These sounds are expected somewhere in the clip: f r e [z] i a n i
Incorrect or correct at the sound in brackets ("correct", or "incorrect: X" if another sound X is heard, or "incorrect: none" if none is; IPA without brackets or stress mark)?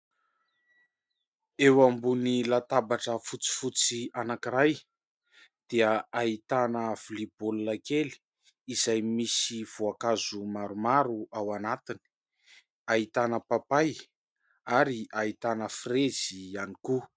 correct